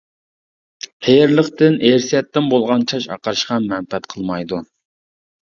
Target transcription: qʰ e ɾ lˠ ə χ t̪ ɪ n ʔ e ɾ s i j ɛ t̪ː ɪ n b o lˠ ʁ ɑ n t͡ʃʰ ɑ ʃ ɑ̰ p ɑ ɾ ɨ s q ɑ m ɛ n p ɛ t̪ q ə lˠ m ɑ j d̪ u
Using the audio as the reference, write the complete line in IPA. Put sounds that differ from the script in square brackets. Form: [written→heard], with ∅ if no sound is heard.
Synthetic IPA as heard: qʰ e ɾ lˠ ə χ t̪ ɪ n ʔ e ɾ s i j ɛ t̪ː ɪ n b o lˠ ʁ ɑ n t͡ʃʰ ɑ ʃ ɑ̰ [p→q] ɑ ɾ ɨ [s→ʃ] q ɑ m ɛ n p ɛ t̪ [q→qʰ] ə lˠ m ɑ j d̪ u